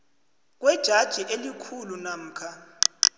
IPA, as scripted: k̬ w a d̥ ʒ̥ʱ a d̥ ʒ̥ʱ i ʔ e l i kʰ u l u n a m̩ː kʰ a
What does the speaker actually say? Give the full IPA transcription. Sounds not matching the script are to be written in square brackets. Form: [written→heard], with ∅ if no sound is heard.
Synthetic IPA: k̬ w [a→ɛ] d̥ ʒ̥ʱ a d̥ ʒ̥ʱ i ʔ e l i kʰ u l u n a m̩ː kʰ a